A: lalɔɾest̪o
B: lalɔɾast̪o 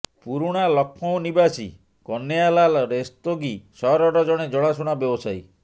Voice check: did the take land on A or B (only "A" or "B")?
A